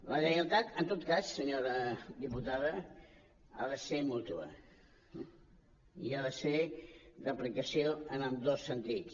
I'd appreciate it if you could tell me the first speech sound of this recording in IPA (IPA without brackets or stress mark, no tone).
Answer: l